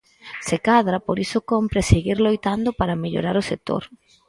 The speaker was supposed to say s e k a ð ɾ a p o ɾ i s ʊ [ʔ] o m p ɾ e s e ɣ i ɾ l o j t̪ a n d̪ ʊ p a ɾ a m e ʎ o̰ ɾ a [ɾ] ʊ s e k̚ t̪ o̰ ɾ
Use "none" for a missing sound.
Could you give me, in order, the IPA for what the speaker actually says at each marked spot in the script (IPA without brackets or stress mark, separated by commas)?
k, ɾ